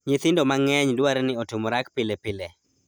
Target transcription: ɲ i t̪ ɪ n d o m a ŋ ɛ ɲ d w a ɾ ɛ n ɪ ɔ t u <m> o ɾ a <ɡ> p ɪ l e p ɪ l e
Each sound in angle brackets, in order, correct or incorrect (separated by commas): correct, incorrect